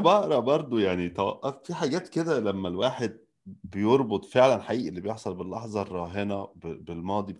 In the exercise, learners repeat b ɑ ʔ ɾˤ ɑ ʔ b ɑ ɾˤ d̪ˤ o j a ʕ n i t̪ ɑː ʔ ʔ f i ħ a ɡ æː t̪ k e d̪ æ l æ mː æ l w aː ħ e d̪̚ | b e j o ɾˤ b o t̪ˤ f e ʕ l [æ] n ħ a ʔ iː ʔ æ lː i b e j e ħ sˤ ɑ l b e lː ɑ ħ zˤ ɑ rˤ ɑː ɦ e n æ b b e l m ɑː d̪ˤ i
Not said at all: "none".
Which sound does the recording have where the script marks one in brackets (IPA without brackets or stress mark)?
æ